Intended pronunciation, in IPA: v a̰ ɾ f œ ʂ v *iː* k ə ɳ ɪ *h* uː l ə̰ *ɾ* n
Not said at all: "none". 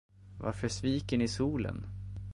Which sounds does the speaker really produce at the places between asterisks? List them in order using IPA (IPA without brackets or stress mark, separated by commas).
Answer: iː, s, none